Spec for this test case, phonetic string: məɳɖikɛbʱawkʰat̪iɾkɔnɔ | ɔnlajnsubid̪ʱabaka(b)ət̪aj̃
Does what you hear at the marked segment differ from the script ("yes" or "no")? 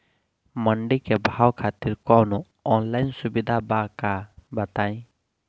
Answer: no